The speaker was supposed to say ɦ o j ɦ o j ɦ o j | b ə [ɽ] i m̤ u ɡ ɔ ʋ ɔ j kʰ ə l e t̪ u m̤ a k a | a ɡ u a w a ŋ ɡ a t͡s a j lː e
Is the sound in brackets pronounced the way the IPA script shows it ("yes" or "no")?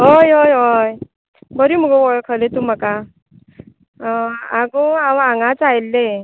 no